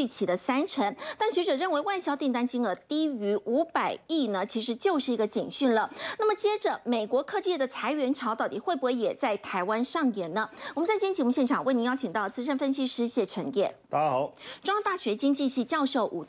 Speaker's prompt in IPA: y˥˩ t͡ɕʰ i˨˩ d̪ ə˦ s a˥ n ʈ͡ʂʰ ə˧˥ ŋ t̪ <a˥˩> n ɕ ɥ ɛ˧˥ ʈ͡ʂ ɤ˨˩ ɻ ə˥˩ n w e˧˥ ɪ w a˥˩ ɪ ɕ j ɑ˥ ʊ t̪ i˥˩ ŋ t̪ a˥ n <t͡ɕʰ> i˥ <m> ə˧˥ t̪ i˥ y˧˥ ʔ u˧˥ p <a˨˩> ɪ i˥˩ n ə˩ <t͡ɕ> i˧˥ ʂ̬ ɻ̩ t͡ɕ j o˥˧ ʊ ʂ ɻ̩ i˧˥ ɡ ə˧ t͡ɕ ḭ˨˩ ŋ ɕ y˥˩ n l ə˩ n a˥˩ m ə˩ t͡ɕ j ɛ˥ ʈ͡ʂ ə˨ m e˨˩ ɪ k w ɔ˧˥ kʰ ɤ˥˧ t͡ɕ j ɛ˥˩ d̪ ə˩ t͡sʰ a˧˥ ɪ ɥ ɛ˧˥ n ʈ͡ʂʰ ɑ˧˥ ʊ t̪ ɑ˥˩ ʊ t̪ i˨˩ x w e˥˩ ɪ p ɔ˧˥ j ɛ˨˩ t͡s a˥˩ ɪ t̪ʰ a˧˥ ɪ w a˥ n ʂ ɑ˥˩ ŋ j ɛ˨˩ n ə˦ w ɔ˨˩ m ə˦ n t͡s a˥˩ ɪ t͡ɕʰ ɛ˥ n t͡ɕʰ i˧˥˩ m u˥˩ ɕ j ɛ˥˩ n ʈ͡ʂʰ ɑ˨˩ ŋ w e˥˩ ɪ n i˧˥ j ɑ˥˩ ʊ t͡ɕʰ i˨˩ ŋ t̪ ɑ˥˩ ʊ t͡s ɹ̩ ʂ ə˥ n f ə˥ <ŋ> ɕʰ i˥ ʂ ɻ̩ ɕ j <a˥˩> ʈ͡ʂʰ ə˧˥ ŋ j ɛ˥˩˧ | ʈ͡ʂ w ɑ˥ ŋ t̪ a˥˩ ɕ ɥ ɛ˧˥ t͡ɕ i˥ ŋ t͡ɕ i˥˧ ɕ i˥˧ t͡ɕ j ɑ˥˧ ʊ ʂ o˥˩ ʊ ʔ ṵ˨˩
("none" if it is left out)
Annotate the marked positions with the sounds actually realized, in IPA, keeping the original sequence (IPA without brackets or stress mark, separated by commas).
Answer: a˥˩, t͡ɕ, ŋ, a˨˩, t͡ɕʰ, n, ɛ˥˩